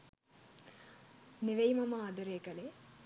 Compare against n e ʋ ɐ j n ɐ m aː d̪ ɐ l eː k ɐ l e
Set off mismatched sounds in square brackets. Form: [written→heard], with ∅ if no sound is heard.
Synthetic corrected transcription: n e ʋ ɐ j [n→m] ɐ m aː d̪ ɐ [l→ɾ] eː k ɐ l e